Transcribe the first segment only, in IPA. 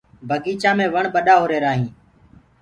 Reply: bʱ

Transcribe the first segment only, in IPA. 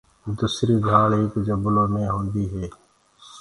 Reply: d̪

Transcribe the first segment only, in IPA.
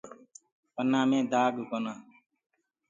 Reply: p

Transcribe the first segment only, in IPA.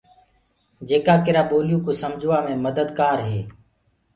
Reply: d͡ʒ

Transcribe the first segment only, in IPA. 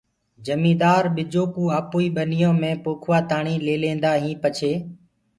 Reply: d͡ʒ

